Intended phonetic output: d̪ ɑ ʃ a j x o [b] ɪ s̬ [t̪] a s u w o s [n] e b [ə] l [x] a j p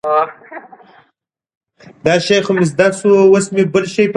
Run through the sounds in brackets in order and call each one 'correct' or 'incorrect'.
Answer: incorrect: m, incorrect: d̪, incorrect: m, correct, incorrect: ʃ

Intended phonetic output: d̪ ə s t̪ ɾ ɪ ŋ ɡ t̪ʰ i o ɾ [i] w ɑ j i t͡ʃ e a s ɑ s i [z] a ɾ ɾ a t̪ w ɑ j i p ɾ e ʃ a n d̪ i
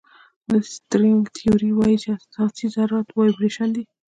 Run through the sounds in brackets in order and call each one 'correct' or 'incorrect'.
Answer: correct, correct

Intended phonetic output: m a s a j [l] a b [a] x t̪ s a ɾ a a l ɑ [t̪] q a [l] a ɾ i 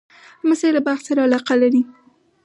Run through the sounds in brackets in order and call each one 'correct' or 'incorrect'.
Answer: correct, correct, incorrect: none, correct

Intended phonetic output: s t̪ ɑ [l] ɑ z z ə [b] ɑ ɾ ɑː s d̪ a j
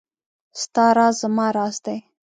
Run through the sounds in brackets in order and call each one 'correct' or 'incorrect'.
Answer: incorrect: ɾ, incorrect: m

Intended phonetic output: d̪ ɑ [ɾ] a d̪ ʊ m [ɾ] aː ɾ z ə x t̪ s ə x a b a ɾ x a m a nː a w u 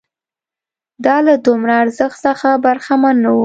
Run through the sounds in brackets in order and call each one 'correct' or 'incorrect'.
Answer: incorrect: l, correct

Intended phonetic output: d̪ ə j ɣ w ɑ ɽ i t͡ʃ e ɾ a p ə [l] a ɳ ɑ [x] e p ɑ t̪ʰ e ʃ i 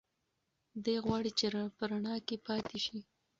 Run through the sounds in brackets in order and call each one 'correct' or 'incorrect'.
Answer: incorrect: ɾ, incorrect: k

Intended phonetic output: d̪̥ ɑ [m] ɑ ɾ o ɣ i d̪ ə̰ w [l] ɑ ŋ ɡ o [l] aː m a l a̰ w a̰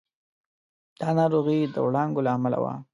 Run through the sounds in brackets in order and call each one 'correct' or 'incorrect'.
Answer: incorrect: n, incorrect: ɽ, correct

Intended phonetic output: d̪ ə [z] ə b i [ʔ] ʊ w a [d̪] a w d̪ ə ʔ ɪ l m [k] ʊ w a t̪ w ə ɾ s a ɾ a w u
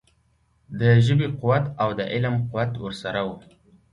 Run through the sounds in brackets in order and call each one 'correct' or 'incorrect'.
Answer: incorrect: ʒ, incorrect: q, incorrect: t̪, incorrect: q

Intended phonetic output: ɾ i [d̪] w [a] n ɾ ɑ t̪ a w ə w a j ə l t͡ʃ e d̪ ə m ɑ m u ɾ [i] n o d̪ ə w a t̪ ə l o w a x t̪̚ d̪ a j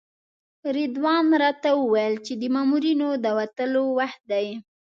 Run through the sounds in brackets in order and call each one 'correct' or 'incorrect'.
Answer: correct, incorrect: ɑ, correct

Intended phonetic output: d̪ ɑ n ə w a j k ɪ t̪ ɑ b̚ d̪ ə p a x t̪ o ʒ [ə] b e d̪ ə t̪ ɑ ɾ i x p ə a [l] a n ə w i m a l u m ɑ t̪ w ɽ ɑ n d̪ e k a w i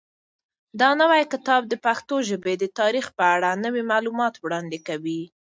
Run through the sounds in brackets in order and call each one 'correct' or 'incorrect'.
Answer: correct, incorrect: ɽ

